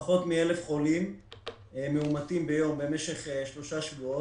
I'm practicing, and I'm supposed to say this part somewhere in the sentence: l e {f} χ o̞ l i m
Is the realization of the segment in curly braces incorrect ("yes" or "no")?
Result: no